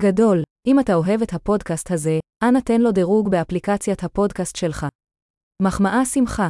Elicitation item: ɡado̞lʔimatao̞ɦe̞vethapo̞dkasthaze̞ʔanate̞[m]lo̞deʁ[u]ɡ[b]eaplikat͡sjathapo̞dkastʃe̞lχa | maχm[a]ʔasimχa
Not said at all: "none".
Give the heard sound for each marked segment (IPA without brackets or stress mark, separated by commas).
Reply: n, u, b, a